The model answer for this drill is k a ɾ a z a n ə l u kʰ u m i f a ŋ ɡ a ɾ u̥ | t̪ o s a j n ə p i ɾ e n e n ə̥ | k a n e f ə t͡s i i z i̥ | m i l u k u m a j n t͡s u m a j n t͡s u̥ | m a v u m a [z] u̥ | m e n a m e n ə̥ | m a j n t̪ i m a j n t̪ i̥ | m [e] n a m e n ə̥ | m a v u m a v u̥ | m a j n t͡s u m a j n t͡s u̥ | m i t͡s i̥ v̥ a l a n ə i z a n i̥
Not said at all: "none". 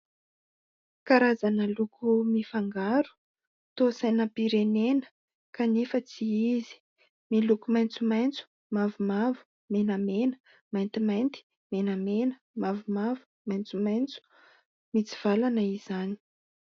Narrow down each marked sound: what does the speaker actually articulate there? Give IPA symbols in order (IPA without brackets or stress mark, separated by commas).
v, e